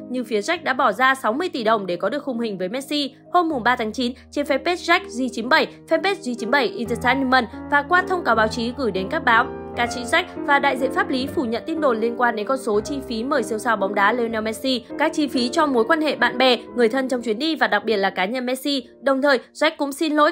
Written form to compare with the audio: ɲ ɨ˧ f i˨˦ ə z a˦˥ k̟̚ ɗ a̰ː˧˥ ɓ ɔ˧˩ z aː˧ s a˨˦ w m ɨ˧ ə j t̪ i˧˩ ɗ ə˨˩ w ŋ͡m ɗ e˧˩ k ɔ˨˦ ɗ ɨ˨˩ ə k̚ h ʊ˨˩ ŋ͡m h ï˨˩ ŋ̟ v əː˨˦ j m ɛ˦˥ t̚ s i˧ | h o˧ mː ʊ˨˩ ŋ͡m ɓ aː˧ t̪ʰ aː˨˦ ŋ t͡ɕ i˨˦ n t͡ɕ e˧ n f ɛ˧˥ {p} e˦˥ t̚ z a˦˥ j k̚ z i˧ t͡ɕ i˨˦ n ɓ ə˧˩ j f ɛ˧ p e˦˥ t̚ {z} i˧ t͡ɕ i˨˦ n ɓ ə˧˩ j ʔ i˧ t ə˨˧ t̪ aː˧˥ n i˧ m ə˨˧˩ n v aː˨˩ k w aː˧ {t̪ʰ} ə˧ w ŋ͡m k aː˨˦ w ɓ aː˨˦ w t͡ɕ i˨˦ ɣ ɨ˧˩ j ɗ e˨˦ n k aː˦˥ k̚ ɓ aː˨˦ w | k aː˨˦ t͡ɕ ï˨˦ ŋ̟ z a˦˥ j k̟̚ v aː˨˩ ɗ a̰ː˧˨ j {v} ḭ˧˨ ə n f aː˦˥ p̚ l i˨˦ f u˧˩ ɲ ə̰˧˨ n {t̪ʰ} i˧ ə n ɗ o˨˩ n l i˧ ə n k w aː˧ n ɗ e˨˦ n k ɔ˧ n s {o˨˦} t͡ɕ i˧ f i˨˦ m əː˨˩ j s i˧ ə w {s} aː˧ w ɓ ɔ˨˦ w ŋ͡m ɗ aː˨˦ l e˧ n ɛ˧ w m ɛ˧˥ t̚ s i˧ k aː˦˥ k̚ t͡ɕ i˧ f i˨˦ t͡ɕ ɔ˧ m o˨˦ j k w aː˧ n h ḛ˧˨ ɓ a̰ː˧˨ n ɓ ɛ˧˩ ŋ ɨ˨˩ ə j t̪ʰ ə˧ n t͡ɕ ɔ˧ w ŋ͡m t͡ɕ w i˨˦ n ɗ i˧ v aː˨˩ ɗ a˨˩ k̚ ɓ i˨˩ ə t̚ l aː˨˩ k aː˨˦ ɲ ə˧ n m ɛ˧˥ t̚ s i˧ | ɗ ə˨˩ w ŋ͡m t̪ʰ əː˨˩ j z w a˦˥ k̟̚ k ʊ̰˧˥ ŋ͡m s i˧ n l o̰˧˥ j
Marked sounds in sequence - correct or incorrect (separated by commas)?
correct, correct, correct, incorrect, incorrect, correct, correct